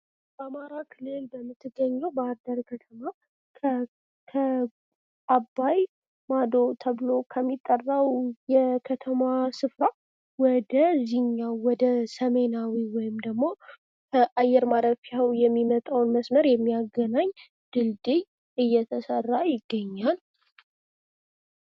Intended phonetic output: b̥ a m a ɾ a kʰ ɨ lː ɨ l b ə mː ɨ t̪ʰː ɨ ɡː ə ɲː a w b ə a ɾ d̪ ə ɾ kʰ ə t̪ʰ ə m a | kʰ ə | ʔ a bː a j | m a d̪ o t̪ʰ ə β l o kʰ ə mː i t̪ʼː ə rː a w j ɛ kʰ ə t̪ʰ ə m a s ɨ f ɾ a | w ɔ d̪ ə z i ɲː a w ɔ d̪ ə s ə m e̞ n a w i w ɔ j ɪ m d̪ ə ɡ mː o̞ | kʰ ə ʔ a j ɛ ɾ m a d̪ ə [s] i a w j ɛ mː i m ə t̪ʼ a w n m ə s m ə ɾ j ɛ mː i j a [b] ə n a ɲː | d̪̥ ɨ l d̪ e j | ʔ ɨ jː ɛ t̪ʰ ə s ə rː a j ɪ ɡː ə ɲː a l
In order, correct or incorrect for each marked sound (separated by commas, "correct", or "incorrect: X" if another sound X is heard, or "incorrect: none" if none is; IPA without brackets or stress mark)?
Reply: incorrect: f, incorrect: ɡ